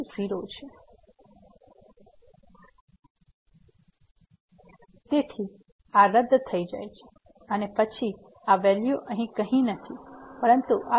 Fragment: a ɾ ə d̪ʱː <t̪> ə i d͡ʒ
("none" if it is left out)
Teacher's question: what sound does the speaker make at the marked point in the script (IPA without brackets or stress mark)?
t̪ʰ